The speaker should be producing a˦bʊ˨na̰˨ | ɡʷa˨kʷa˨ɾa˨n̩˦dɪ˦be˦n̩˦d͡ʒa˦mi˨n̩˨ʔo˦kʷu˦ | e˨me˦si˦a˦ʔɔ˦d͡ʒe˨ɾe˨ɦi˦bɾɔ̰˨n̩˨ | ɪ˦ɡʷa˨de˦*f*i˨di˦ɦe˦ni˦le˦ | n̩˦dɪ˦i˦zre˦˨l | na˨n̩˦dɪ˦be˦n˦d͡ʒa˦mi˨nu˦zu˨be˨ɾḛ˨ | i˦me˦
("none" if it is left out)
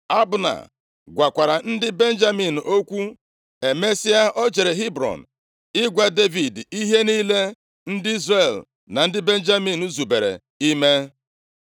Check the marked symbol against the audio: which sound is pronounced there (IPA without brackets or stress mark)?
v